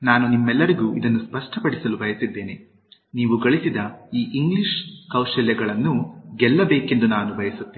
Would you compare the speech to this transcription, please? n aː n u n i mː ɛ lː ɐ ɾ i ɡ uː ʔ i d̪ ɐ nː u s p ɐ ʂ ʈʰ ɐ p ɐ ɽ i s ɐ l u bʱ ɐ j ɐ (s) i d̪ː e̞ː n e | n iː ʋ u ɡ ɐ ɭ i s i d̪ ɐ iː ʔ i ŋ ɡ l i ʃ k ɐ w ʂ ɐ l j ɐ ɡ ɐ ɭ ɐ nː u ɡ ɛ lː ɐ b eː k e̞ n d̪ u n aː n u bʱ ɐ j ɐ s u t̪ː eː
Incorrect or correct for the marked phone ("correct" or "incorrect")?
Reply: correct